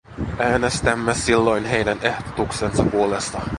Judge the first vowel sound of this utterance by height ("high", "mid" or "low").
low